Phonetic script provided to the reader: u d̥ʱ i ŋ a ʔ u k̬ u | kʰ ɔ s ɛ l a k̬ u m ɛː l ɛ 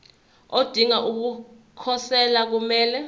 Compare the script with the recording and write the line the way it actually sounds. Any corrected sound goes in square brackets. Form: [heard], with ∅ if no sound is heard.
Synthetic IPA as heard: [o] d̥ʱ i ŋ a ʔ u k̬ u | kʰ ɔ s ɛ l a k̬ u m ɛː l ɛ